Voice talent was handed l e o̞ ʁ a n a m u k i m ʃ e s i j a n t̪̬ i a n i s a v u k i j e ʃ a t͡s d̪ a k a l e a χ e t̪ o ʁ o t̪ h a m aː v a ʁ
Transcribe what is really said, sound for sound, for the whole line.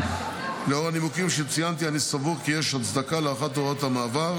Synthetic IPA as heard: l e o̞ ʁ a n i m u k i m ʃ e t͡s i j a n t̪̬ i a n i s a v u k i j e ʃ a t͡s d̪ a k a l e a χ a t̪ o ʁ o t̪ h a m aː v a ʁ